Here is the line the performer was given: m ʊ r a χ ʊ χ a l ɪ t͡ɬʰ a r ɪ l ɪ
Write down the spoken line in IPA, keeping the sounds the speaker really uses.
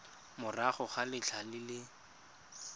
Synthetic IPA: m ʊ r a χ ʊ χ a l ɪ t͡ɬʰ a l ɪ l ɪ